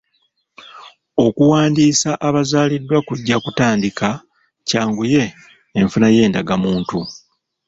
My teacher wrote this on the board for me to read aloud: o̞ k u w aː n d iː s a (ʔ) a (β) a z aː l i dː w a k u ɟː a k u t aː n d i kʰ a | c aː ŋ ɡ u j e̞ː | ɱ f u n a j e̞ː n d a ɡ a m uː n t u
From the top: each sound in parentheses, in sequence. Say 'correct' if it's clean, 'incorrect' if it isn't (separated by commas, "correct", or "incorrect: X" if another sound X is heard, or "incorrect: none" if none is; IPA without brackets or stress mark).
correct, correct